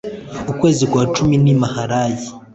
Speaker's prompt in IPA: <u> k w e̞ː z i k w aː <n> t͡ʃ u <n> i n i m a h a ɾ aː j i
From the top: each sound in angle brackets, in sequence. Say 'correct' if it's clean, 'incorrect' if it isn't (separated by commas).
correct, incorrect, incorrect